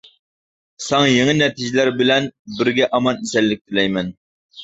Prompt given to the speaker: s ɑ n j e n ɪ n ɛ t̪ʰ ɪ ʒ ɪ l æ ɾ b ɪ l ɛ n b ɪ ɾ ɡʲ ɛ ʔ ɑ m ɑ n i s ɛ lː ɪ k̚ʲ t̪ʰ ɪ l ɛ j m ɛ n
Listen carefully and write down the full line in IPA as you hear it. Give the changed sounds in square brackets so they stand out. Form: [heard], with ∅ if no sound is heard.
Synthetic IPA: s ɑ [ŋ] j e [ŋ] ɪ n ɛ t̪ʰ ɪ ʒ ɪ l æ ɾ b ɪ l ɛ n b ɪ ɾ ɡʲ ɛ ʔ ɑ m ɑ n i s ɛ lː ɪ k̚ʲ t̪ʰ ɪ l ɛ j m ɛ n